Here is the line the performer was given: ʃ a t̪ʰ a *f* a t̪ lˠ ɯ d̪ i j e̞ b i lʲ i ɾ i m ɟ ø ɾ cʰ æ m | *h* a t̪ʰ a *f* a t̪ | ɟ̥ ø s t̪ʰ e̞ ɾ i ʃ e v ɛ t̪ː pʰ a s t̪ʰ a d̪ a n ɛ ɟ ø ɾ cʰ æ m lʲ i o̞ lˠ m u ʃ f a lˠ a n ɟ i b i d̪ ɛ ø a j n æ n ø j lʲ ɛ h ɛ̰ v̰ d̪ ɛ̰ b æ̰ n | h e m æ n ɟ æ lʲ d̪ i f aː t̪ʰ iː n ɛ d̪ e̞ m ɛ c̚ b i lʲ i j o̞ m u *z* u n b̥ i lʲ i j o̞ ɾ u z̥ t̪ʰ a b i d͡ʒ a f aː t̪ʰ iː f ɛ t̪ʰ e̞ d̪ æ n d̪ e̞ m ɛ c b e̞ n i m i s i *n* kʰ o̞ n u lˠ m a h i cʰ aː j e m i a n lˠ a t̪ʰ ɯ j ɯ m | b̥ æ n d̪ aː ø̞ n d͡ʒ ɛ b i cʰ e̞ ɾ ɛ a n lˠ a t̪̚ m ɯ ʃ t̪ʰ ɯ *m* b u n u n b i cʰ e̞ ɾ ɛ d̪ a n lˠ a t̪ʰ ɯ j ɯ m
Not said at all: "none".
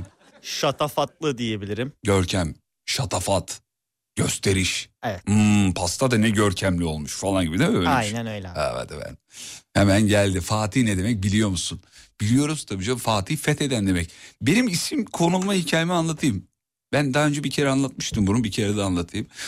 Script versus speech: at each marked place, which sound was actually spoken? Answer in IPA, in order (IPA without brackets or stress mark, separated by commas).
f, ʃ, f, s, m, m